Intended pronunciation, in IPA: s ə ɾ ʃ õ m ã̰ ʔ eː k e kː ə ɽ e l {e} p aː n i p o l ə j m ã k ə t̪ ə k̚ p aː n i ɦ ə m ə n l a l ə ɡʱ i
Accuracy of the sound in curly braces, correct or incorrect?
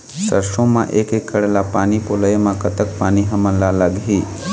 incorrect: a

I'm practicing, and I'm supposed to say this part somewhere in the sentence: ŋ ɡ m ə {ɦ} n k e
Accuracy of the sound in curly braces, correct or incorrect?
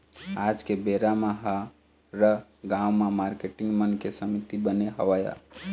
incorrect: none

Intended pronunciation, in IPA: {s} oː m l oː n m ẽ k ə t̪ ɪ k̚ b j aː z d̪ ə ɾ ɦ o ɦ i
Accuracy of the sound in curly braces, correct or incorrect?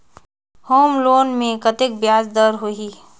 incorrect: h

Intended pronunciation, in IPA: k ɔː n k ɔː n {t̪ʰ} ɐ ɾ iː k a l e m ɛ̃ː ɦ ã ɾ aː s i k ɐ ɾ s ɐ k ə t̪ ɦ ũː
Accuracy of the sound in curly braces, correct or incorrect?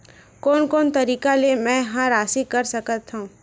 incorrect: t̪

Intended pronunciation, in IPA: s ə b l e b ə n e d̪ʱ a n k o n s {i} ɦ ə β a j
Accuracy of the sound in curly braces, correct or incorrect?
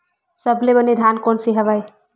correct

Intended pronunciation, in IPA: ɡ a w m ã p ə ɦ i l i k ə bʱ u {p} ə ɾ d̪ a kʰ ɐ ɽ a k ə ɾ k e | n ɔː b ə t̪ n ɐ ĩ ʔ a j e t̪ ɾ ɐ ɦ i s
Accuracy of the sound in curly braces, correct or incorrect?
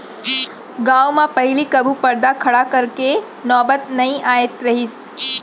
correct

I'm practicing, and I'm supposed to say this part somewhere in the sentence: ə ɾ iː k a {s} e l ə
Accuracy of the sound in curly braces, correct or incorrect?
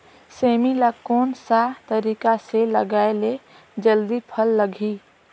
correct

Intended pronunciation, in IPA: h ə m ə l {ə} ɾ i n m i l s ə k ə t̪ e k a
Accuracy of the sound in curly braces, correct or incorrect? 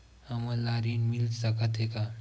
incorrect: a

